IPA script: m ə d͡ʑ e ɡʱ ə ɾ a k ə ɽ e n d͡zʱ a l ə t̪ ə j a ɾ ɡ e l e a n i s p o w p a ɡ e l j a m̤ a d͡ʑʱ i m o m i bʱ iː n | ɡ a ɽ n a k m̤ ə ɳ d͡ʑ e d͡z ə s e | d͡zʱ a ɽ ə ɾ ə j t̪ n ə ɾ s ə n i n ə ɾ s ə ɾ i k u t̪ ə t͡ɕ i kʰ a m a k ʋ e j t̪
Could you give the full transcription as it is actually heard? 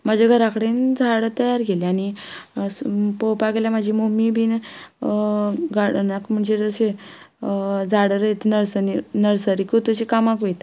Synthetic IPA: m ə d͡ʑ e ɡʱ ə ɾ a k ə ɽ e n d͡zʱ a ɽ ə t̪ ə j a ɾ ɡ e l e a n i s p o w p a ɡ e l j a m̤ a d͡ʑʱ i m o m i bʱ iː n | ɡ a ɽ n a k m̤ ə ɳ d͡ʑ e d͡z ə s e | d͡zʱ a ɽ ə ɾ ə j t̪ n ə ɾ s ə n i n ə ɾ s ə ɾ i k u t̪ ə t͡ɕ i k a m a k ʋ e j t̪